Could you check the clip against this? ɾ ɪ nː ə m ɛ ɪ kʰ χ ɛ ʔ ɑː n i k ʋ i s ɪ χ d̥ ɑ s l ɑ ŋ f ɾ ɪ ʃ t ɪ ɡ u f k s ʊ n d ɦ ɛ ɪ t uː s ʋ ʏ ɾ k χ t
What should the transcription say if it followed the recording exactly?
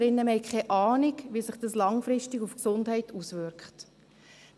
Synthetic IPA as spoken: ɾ ɪ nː ə m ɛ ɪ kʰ χ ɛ ʔ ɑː n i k ʋ i s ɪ χ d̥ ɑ s l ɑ ŋ f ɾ ɪ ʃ t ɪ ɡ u f k s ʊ n d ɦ ɛ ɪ t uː s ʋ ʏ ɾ k χ t